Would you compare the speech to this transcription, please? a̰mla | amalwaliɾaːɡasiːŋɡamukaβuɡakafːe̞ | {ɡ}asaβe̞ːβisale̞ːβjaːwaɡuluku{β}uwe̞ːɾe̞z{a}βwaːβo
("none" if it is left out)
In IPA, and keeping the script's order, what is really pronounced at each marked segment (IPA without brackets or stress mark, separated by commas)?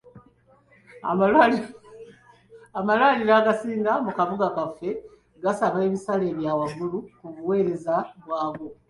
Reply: ɡ, β, a